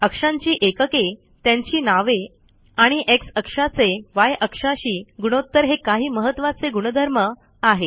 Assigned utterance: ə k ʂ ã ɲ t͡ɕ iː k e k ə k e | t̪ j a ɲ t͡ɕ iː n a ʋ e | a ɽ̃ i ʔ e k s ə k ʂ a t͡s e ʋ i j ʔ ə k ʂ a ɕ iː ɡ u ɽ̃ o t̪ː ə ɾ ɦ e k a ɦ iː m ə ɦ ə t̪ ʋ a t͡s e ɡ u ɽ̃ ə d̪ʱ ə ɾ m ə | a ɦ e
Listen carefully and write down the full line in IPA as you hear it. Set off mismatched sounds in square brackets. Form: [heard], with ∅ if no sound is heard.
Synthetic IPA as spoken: ə k ʂ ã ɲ t͡ɕ iː [ʔ] e k ə k e | t̪ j a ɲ t͡ɕ iː n a ʋ e | a ɽ̃ i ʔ e k s ə k ʂ a t͡s e ʋ [a] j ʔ ə k ʂ a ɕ iː ɡ u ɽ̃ o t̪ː ə ɾ ɦ e k a ɦ iː m ə ɦ ə t̪ ʋ a t͡s e ɡ u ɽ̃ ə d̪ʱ ə ɾ m ə | a ɦ e